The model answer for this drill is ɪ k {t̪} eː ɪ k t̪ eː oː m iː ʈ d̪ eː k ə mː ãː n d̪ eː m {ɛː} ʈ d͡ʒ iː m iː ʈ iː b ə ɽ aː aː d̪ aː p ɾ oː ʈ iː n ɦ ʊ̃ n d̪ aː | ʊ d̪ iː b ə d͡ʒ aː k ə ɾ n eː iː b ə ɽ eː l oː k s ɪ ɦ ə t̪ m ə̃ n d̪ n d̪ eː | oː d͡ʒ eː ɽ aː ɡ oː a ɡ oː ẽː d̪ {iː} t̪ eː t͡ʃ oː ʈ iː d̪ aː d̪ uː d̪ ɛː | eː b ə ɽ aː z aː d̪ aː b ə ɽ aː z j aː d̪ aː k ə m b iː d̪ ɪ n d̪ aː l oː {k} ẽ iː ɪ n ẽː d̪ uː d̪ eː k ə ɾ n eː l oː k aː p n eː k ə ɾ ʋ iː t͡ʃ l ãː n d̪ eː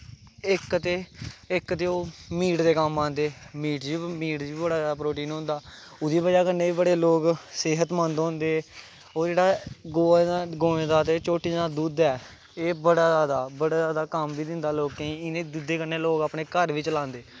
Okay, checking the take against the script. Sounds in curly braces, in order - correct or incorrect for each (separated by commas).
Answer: correct, incorrect, incorrect, correct